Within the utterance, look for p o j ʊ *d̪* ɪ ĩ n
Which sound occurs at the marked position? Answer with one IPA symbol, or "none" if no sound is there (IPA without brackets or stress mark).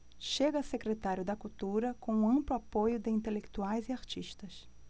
d̪